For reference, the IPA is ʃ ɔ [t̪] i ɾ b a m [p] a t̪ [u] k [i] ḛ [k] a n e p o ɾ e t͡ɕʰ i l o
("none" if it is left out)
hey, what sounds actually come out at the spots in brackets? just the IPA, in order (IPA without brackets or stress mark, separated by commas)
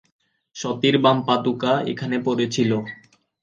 t̪, p, u, a, kʰ